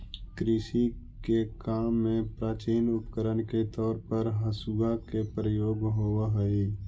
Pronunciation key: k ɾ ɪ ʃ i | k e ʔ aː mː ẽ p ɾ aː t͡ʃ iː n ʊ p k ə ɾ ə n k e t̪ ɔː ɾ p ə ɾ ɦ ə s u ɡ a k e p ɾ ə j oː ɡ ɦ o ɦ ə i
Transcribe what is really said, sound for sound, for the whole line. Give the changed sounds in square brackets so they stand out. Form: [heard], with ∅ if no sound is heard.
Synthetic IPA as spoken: k ɾ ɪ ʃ i | k e [k] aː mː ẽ p ɾ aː t͡ʃ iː n ʊ p k ə ɾ ə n k e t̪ ɔː ɾ p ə ɾ ɦ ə s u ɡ a k e p ɾ ə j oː ɡ ɦ o ɦ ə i